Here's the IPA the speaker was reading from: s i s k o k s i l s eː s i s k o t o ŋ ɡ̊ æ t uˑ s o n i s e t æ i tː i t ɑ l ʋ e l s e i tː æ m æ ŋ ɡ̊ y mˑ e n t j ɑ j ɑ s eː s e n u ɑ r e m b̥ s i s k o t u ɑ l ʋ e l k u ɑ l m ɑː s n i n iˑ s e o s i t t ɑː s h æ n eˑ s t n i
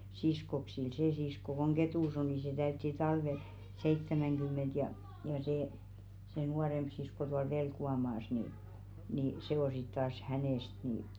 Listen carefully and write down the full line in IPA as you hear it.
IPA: s i s k o k s i l s eː s i s k o k o ŋ ɡ̊ e t uˑ s o n i s e t æ y tː i t ɑ l ʋ e l s e i tː æ m æ ŋ ɡ̊ y mˑ e n t j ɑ j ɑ s eː s e n u ɑ r e m b̥ s i s k o t u ɑ l ʋ e l k u ɑ m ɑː s n i n iˑ s e o s i t t ɑː s h æ n eˑ s t n i